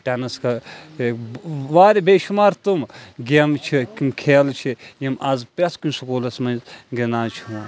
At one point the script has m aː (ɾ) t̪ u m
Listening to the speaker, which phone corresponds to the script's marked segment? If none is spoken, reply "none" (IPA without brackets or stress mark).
ɾ